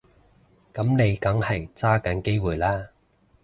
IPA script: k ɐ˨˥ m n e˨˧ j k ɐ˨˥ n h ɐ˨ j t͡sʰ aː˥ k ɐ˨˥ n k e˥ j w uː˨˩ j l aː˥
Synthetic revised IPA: k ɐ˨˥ m n e˨˧ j k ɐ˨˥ ŋ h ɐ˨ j t͡s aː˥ k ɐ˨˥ n k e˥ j w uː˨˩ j l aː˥